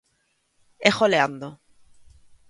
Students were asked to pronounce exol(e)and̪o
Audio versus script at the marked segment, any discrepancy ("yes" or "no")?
no